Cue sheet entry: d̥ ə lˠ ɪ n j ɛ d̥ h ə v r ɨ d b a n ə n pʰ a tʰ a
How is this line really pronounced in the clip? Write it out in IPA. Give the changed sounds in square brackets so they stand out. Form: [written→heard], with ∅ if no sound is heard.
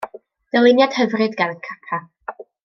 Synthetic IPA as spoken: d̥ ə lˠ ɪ n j [ɛ→a] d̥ h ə v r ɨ d [b→ɡ] a n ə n [pʰ→kʰ] a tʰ a